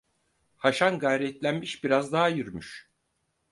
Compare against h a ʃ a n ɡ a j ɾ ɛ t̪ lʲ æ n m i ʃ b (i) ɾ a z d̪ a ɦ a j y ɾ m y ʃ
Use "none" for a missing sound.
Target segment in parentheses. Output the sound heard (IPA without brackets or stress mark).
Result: i